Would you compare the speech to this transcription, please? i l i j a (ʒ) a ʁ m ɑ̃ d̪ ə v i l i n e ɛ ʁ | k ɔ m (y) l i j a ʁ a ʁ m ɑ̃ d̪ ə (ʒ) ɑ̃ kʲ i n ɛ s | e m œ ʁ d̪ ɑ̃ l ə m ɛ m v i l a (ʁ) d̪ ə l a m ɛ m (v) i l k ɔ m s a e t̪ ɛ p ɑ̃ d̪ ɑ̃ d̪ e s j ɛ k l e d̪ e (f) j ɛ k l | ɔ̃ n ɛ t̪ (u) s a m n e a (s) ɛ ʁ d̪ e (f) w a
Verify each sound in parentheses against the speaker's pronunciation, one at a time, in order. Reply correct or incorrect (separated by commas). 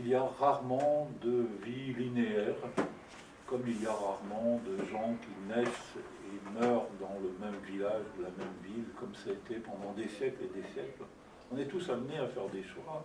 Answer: incorrect, incorrect, correct, incorrect, correct, incorrect, correct, incorrect, incorrect